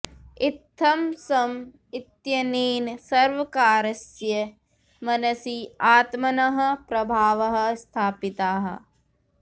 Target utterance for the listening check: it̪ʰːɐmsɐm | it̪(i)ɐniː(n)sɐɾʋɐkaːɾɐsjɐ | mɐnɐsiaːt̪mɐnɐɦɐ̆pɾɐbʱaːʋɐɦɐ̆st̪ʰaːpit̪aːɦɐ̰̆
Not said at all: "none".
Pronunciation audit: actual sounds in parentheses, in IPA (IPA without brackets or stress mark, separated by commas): j, n